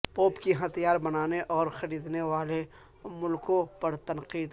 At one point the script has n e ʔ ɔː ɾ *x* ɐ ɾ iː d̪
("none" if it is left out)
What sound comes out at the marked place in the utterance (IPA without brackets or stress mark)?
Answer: x